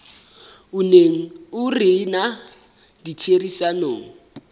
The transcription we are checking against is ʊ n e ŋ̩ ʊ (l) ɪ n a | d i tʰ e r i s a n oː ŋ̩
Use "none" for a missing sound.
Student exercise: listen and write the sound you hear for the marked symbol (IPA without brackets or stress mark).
r